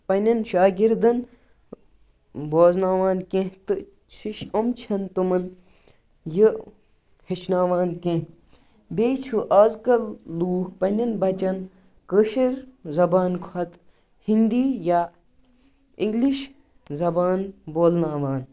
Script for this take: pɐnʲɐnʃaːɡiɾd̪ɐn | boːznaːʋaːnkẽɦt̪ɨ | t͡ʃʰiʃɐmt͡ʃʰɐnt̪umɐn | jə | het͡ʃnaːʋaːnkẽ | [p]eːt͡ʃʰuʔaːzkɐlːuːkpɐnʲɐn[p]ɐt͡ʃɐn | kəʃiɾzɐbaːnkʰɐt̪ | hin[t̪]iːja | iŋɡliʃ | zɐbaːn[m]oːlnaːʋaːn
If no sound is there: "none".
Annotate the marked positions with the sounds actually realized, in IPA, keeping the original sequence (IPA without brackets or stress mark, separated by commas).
b, b, d̪, b